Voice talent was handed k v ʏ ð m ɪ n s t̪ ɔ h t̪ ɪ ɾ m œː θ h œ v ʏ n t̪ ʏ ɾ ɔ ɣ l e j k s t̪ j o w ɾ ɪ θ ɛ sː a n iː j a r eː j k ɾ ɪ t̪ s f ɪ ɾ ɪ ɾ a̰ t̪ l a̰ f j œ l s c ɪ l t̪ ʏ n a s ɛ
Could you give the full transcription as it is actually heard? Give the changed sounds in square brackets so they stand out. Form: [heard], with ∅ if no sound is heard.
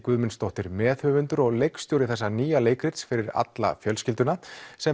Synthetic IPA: k v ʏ ð m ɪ n s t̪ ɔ h t̪ ɪ ɾ m [ɛː] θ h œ v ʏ n t̪ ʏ ɾ ɔ ɣ l e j k s t̪ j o w ɾ ɪ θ ɛ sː a n iː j a [l] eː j k ɾ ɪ t̪ s f ɪ ɾ ɪ ɾ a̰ t̪ l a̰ f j œ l s c ɪ l t̪ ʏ n a s ɛ